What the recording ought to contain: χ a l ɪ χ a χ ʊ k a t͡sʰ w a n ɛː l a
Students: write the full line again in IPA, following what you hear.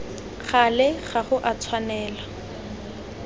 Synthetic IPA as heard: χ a l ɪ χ a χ ʊ ʔ a t͡sʰ w a n ɛː l a

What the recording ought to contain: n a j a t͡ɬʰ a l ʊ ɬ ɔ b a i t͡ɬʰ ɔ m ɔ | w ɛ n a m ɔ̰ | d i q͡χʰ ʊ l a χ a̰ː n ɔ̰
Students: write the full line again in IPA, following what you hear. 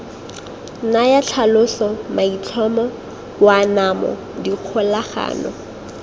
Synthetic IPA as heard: n a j a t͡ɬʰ a l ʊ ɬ ɔ m a i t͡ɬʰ ɔ m ɔ | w a n a m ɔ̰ | d i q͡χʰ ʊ l a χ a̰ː n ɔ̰

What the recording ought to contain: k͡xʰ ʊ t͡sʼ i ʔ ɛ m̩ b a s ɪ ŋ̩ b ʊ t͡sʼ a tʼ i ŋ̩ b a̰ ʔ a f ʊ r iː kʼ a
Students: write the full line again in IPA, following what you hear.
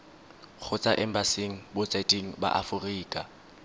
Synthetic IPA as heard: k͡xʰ ʊ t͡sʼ a ʔ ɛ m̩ b a s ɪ ŋ̩ b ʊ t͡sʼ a tʼ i ŋ̩ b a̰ ʔ a f ʊ r iː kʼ a

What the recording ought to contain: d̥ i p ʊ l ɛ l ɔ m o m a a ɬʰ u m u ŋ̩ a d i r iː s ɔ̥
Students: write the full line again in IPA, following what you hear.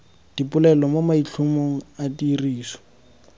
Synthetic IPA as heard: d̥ i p ʊ l ɛ l ɔ m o m a i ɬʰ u m o ŋ̩ a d i r iː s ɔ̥

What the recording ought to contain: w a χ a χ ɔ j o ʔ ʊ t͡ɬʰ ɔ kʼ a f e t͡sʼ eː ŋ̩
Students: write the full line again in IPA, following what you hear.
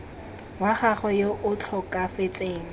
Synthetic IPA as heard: w a χ a χ ɔ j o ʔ ʊ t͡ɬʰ ɔ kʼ a f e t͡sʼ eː ŋ̩

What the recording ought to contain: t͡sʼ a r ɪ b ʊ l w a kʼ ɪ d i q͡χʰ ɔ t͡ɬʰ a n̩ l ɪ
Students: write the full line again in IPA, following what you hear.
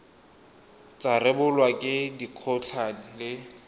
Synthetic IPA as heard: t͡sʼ a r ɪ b ʊ l w a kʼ ɪ d i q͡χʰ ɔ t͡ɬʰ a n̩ l ɪ

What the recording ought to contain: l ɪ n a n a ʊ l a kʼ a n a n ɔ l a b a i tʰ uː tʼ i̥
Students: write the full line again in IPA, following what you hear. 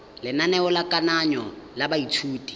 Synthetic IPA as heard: l ɪ n a n ɛ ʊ l a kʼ a n a ɲ ɔ l a b a i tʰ uː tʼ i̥

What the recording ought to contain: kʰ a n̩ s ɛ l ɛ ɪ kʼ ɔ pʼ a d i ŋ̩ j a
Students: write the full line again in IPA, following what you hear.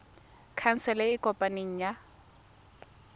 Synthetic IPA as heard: kʰ a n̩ s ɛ l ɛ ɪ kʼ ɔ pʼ a n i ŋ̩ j a

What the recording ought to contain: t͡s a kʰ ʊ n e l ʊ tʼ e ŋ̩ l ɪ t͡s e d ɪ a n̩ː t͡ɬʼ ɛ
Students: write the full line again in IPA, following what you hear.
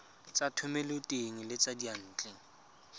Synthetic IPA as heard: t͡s a tʰ ʊ m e l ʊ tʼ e ŋ̩ l ɪ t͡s a d i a n̩ː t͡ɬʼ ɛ

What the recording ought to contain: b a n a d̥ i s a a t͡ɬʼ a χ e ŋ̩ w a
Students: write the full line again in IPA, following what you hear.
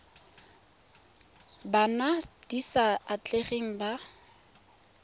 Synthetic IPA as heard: b a n a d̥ i s a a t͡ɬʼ e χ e ŋ̩ b a

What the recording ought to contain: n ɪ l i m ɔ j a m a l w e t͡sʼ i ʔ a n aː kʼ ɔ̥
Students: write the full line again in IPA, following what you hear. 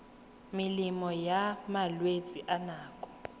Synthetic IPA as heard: m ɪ l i m ɔ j a m a l w e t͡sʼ i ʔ a n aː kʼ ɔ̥

